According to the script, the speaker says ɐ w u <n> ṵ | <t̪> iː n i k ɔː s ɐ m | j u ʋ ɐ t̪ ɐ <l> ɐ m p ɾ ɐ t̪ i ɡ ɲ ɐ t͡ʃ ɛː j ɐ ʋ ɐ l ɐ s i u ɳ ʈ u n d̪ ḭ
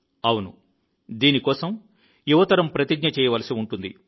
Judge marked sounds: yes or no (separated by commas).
yes, no, no